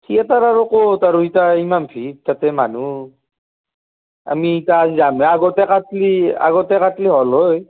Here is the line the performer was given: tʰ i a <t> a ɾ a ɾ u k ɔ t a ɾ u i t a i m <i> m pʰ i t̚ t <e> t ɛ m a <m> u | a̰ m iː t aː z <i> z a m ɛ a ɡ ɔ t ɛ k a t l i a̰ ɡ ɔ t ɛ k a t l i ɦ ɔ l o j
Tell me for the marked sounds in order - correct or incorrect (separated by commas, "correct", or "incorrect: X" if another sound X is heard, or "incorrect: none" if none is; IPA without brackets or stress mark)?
correct, incorrect: a, incorrect: a, incorrect: n, correct